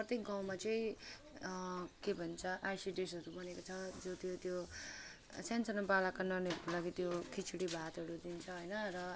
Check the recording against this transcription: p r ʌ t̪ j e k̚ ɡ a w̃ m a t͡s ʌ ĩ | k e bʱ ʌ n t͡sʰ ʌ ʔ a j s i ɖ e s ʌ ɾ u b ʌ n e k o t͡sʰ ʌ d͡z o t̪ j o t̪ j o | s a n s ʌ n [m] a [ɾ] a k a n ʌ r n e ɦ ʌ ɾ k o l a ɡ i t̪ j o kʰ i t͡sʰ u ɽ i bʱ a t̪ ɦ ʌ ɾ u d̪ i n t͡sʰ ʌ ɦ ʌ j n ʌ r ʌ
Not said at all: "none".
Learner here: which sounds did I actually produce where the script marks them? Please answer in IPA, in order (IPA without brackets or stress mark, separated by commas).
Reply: b, l